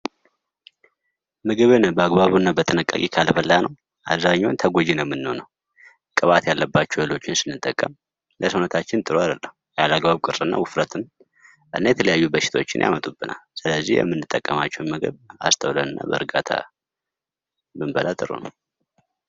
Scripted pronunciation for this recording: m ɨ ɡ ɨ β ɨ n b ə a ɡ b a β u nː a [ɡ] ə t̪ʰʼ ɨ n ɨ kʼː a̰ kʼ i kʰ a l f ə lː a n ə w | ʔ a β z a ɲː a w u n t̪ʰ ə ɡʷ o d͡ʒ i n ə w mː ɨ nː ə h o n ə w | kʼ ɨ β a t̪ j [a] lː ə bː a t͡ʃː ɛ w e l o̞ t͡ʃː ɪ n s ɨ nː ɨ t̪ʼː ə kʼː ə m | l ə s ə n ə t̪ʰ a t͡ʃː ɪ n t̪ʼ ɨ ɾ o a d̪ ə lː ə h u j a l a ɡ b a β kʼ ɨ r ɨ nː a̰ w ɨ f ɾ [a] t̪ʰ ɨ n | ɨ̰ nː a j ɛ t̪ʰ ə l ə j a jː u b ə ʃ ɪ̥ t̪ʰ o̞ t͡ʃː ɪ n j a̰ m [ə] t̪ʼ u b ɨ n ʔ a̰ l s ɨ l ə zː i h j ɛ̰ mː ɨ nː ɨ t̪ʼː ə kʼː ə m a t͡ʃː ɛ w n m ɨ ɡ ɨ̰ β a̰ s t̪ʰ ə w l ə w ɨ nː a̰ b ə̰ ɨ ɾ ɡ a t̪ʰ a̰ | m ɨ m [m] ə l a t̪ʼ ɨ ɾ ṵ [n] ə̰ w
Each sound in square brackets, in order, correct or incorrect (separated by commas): incorrect, correct, incorrect, correct, incorrect, correct